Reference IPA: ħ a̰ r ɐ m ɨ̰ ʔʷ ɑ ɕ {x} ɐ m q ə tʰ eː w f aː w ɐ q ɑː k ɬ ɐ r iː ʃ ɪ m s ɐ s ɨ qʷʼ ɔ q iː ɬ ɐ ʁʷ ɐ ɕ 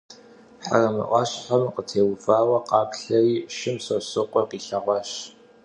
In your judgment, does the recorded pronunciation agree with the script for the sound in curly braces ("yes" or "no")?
no